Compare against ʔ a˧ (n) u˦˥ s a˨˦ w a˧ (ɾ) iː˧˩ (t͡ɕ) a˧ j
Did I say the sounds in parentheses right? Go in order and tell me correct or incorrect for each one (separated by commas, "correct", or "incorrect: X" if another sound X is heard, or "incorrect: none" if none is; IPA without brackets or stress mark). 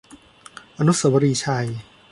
correct, correct, incorrect: t͡ɕʰ